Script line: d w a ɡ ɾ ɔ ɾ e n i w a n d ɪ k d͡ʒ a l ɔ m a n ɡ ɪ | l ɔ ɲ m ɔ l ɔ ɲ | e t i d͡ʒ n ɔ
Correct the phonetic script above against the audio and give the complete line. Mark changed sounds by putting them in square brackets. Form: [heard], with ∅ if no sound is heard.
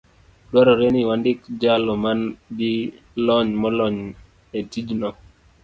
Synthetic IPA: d w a [∅] ɾ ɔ ɾ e n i w a n d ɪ k d͡ʒ a l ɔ m a n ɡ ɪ | l ɔ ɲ m ɔ l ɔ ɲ | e t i d͡ʒ n ɔ